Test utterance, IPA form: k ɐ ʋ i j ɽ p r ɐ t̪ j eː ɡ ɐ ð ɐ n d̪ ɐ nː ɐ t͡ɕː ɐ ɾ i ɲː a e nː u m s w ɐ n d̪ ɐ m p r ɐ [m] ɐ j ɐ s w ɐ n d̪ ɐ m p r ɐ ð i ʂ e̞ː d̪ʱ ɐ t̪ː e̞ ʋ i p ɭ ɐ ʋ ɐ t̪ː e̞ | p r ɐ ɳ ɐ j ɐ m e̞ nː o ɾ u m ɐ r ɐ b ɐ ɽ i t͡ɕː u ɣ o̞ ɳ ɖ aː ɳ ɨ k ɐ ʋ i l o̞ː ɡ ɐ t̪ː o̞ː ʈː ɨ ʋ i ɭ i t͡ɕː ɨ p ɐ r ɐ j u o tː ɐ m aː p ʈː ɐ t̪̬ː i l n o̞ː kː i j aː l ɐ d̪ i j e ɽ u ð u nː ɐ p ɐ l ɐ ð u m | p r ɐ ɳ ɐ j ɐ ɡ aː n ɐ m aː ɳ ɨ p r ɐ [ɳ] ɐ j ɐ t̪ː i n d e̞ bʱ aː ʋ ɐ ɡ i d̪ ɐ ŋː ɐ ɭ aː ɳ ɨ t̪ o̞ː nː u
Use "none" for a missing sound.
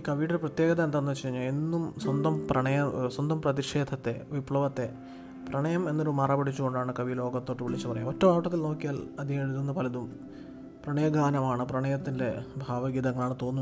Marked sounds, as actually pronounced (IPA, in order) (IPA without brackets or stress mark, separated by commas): ɳ, ɳ